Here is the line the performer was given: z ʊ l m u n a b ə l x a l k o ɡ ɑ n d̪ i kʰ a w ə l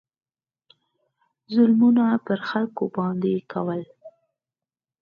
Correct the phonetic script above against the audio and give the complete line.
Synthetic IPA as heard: z ʊ l m u n a p ə ɾ x a l k o b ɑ n d̪ e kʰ a w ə l